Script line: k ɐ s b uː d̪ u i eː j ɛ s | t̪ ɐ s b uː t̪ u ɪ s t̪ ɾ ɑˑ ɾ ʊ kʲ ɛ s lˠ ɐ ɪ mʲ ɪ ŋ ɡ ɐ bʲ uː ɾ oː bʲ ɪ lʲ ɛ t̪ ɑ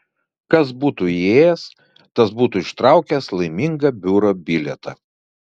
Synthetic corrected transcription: k ɐ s b uː t̪ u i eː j ɛ s | t̪ ɐ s b uː t̪ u ɪ ʃ t̪ ɾ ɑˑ ʊ kʲ ɛ s lˠ ɐ ɪ mʲ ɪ ŋ ɡ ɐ bʲ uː ɾ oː bʲ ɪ lʲ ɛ t̪ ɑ